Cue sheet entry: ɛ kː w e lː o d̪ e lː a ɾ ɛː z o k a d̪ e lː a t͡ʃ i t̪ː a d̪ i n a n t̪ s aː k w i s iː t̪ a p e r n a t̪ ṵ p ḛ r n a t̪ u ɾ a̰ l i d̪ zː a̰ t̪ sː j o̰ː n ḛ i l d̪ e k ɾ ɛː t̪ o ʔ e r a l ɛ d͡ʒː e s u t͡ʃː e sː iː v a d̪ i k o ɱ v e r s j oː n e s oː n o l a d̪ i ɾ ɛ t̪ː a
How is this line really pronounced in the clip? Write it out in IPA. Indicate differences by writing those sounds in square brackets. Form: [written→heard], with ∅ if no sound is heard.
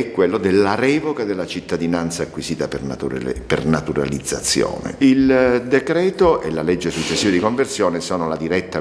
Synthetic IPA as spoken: ɛ kː w e lː o d̪ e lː a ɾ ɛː [z→v] o k a d̪ e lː a t͡ʃ i t̪ː a d̪ i n a n t̪ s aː k w i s iː t̪ a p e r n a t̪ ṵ p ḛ r n a t̪ u ɾ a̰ l i d̪ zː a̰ t̪ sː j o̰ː n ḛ i l d̪ e k ɾ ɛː t̪ o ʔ e [r→l] a l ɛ d͡ʒː e s u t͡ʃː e sː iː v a d̪ i k o ɱ v e r s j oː n e s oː n o l a d̪ i ɾ ɛ t̪ː a

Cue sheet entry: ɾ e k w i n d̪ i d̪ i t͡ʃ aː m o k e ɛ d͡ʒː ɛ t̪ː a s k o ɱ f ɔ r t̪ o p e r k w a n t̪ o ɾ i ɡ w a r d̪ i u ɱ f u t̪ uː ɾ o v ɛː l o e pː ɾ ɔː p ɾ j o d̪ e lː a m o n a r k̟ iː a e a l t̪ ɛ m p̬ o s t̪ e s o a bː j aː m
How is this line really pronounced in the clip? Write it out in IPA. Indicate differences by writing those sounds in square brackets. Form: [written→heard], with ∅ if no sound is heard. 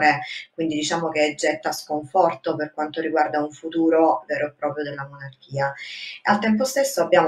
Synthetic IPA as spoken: ɾ e k w i n d̪ i d̪ i t͡ʃ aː m o k e ɛ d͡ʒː ɛ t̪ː a s k o ɱ f ɔ r t̪ o p e r k w a n t̪ o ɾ i ɡ w a r d̪ [i→a] u ɱ f u t̪ uː ɾ o v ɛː [l→ɾ] o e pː ɾ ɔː p ɾ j o d̪ e lː a m o n a r k̟ iː a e a l t̪ ɛ m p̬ o s t̪ e [s→sː] o a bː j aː m

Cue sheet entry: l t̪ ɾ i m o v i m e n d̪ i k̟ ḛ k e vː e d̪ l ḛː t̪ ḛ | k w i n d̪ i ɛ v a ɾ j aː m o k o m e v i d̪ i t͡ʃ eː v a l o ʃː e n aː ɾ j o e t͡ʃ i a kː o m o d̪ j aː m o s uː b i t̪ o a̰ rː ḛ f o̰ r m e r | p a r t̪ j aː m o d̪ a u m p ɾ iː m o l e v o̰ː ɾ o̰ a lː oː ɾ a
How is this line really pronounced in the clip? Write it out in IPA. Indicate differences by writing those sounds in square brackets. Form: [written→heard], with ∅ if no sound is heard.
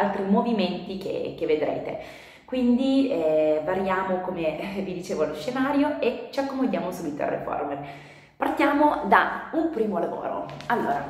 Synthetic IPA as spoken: l t̪ ɾ i m o v i m e n [d̪→t̪] i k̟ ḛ k e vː e d̪ [l→ɾ] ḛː t̪ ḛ | k w i n d̪ i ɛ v a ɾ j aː m o k o m e v i d̪ i t͡ʃ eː v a l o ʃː e n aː ɾ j o e t͡ʃ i a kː o m o d̪ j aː m o s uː b i t̪ o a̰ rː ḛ f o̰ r m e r | p a r t̪ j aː m o d̪ a u m p ɾ iː m o l [e→a] v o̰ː ɾ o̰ a lː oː ɾ a

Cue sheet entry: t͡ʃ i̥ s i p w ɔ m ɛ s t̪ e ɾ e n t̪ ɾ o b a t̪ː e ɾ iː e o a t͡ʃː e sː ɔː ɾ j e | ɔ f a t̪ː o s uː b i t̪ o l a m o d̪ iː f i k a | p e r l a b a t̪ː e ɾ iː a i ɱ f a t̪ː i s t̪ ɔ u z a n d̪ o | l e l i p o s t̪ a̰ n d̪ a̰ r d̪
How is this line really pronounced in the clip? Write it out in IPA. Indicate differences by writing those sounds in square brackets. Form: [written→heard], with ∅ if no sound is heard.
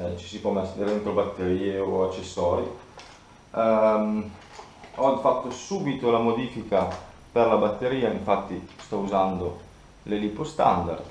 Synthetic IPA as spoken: t͡ʃ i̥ s i p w ɔ m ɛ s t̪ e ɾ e n t̪ ɾ o b a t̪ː e ɾ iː e o a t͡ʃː e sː ɔː ɾ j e | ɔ f a t̪ː o s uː b i t̪ o l a m o d̪ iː f i k a | p e r l a b a t̪ː e ɾ iː a i ɱ f a t̪ː i s t̪ ɔ u z a n d̪ o | l e l i p o s t̪ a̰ n d̪ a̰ r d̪

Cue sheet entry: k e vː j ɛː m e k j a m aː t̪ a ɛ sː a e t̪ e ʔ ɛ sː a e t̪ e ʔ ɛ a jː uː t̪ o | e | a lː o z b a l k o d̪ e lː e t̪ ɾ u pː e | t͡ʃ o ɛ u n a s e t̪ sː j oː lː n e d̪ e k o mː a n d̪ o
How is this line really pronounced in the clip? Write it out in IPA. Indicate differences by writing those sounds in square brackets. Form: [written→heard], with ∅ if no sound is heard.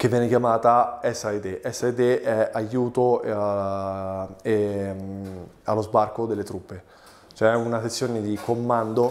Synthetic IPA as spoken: k e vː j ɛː [m→n] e k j a m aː t̪ a ɛ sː a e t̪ e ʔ ɛ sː a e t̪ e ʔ ɛ a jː uː t̪ o | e | a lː o z b a [l→r] k o d̪ e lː e t̪ ɾ u pː e | t͡ʃ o ɛ u n a s e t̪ sː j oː [lː→∅] n e d̪ [e→i] k o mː a n d̪ o

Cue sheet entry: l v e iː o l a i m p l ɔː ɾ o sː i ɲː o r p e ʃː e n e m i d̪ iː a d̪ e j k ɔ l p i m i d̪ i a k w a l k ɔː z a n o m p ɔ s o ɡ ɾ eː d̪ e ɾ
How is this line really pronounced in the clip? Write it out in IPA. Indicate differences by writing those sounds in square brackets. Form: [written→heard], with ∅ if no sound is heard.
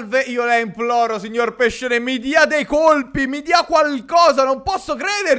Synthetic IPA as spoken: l v e iː o l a i m p l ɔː ɾ o [sː→s] i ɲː o r p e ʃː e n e m i d̪ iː a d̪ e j k [ɔ→o] l p i m i d̪ i a k w a l k ɔː z a n o m p ɔ [s→sː] o [ɡ→k] ɾ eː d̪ e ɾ

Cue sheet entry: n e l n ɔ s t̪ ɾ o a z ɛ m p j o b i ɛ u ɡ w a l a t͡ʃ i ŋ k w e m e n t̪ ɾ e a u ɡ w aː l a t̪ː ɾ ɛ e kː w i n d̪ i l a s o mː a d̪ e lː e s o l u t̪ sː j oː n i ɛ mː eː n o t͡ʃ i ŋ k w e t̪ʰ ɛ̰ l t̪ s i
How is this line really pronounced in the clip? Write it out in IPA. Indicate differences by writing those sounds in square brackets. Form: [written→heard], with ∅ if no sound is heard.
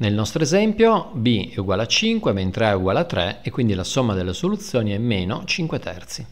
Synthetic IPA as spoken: n e l n ɔ s t̪ ɾ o [a→e] z ɛ m p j o b i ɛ u ɡ w a l a t͡ʃ i ŋ k w e m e n t̪ ɾ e a u ɡ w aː l a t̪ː ɾ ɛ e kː w i n d̪ i l a s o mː a d̪ e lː e s o l u t̪ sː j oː n i ɛ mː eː n o t͡ʃ i ŋ k w e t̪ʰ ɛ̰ [l→r] t̪ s i

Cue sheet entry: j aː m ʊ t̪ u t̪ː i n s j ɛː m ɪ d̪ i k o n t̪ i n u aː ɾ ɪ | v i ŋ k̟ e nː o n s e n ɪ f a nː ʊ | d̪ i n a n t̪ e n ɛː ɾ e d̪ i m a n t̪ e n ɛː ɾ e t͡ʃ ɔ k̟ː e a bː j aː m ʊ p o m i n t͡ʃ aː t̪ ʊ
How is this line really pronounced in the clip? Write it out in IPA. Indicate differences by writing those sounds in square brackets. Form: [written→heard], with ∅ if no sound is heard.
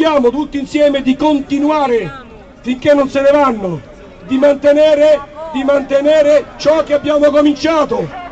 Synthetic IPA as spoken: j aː m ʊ t̪ u t̪ː i n s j ɛː m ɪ d̪ i k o n t̪ i n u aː ɾ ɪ | [v→f] i ŋ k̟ e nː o n s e n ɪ [f→v] a nː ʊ | d̪ i [n→m] a n t̪ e n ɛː ɾ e d̪ i m a n t̪ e n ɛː ɾ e t͡ʃ ɔ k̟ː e a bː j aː m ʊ [p→k] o m i n t͡ʃ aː t̪ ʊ

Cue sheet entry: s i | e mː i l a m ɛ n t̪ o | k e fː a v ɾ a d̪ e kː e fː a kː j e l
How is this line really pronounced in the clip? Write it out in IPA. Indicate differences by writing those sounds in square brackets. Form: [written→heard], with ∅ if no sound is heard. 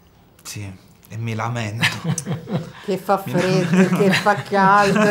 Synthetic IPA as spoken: s i | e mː i l a m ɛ n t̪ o | k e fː a [v→f] ɾ [a→e] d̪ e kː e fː a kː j [e→a] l

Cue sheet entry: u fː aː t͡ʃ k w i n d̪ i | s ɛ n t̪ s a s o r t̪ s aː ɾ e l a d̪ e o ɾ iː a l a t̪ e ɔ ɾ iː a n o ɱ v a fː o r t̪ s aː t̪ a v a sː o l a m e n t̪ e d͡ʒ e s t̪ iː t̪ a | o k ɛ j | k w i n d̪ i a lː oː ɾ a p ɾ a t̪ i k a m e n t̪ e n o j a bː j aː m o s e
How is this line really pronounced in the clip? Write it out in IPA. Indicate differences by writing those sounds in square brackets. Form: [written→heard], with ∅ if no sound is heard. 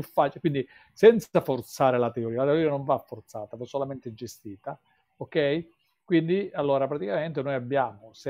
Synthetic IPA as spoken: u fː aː t͡ʃ k w i n d̪ i | s ɛ n t̪ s a [s→f] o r t̪ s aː ɾ e l a [d̪→t̪] e o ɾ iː a l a t̪ e [ɔ→o] ɾ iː a n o ɱ v a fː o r t̪ s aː t̪ a v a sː o l a m e n t̪ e d͡ʒ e s t̪ iː t̪ a | o k ɛ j | k w i n d̪ i a lː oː ɾ a p ɾ a t̪ i k a m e n t̪ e n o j a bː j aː m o s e

